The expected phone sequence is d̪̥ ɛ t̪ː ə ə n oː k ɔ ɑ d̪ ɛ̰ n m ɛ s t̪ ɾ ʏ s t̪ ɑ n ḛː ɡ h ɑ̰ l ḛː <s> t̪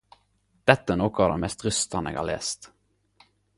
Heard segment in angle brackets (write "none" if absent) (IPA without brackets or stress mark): s